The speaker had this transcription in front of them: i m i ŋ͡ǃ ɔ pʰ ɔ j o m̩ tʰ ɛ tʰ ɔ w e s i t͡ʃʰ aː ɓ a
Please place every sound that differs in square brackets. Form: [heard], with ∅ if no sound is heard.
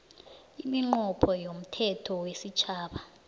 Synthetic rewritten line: i m i ŋ͡ǃ ɔ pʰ ɔ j o m̩ tʰ ɛ tʰ ɔ w e s i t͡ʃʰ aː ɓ a